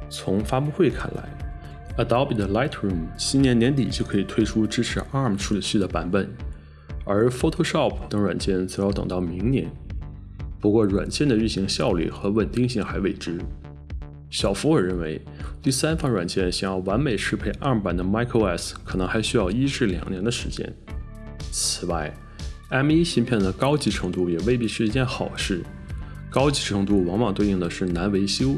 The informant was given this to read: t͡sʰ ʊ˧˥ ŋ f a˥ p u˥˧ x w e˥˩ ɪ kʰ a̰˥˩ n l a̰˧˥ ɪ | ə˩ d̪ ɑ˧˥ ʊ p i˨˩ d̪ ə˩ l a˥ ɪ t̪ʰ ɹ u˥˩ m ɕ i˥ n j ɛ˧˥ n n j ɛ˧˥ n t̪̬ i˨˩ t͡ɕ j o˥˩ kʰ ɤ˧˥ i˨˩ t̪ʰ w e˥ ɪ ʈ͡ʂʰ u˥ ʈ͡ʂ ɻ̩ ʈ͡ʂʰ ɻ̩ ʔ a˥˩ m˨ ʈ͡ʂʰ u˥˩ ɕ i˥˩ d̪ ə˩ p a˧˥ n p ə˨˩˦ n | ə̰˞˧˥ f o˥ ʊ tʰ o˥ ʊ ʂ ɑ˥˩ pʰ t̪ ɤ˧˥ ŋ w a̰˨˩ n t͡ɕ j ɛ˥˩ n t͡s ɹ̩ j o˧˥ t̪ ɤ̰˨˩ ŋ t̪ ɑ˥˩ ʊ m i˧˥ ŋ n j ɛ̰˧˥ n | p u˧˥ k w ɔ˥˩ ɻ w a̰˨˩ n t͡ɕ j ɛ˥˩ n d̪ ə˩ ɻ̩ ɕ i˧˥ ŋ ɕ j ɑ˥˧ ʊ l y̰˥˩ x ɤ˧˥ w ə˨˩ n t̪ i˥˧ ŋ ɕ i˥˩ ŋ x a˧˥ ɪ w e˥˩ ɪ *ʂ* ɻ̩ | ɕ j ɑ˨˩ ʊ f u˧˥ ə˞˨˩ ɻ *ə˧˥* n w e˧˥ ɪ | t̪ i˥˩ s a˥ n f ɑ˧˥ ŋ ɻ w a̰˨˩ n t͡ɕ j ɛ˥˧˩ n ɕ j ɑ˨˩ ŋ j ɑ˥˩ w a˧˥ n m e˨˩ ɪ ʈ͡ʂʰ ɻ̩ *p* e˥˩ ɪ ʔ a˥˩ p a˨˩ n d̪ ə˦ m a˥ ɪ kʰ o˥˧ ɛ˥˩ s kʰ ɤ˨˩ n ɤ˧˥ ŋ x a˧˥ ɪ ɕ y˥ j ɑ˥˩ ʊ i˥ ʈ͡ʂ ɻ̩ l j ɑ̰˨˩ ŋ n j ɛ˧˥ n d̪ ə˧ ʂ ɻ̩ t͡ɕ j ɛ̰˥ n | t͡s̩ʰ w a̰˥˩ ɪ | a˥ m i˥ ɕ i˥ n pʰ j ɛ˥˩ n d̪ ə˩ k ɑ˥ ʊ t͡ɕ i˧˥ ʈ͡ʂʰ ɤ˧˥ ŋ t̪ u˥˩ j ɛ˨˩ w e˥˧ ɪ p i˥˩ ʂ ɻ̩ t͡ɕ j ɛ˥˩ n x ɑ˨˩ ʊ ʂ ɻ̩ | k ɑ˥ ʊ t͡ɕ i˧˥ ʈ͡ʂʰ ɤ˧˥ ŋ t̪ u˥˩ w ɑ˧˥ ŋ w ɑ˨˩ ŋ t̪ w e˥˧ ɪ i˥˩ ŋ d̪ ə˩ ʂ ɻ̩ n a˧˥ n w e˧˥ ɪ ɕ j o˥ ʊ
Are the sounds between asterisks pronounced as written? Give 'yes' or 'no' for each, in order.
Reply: no, no, no

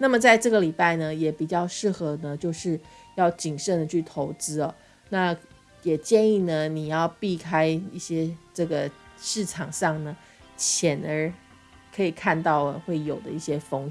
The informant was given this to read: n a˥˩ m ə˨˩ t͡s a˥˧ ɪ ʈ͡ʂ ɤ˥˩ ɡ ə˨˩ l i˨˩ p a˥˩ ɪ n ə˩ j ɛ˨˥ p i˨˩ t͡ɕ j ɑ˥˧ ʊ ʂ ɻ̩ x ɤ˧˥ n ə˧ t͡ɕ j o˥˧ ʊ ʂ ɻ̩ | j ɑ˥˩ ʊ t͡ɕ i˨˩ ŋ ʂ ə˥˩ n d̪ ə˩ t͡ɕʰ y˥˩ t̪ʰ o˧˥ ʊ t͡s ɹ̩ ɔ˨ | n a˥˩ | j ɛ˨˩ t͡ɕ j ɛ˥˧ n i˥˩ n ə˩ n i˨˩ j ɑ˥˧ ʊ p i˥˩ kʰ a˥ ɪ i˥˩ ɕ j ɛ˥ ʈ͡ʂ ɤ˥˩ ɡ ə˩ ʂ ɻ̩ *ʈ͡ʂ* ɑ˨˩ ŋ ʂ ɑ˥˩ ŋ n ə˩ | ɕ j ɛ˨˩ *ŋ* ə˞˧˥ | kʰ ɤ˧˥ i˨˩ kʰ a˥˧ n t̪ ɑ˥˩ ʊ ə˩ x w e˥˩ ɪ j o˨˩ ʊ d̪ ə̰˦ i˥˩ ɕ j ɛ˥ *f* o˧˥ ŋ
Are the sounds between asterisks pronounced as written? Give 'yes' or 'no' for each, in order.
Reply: no, no, yes

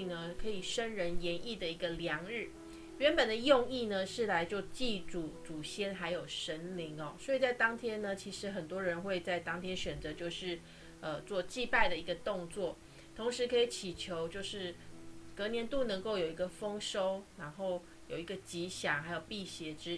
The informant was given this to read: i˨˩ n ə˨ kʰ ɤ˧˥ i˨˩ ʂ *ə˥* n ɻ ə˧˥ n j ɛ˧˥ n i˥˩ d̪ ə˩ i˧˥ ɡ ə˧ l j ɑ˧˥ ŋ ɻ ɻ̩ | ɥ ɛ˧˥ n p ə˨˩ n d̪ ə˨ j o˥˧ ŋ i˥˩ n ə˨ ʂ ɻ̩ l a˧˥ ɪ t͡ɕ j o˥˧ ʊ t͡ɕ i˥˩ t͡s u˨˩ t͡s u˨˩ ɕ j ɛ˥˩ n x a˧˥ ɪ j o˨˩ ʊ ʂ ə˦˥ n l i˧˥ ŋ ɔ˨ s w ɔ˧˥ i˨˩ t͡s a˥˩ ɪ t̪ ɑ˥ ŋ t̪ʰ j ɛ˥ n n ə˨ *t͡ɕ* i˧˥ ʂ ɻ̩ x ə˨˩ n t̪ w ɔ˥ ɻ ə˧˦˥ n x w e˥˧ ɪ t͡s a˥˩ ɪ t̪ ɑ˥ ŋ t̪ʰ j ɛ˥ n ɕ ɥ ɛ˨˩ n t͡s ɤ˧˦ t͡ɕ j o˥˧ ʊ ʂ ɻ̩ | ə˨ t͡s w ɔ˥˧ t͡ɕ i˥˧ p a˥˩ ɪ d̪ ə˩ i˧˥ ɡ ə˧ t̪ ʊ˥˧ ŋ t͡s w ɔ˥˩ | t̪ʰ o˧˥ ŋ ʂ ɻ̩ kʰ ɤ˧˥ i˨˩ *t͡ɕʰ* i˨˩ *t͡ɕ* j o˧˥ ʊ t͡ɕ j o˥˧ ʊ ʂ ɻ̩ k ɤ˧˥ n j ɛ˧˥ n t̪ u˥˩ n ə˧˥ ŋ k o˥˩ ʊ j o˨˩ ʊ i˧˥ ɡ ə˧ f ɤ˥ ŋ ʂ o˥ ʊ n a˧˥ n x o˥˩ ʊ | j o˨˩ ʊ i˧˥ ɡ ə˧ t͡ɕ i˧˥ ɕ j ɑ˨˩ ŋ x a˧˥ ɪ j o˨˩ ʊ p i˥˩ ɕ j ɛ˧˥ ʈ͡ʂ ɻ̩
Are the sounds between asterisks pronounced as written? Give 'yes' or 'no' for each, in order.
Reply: yes, no, yes, no

